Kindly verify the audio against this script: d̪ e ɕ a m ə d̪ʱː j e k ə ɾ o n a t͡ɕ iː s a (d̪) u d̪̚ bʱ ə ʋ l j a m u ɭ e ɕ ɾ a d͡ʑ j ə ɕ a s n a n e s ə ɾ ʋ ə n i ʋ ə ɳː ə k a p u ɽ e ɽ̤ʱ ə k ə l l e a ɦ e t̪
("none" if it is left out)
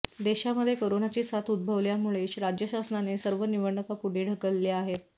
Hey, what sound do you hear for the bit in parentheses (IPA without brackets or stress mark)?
t̪